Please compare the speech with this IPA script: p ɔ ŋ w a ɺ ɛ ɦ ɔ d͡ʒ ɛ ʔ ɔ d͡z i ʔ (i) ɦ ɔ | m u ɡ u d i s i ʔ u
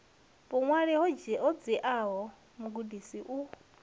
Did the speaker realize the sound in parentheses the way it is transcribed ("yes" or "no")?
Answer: no